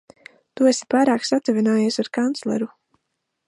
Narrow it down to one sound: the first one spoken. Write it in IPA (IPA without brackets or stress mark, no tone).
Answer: t̪